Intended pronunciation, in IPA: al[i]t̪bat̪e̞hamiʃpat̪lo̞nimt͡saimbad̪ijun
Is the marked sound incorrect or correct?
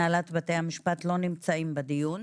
incorrect